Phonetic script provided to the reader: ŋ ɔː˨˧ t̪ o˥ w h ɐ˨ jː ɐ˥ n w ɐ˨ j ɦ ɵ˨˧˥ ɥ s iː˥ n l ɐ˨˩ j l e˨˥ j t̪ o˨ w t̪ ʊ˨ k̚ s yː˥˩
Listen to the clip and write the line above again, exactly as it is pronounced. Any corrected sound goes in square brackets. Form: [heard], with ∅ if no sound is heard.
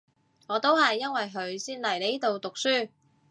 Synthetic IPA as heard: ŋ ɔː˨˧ t̪ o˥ w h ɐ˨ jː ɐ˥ n w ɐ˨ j ɦ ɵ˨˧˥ ɥ s iː˥ n l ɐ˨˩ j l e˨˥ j t̪ o˨ w t̪ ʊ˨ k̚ s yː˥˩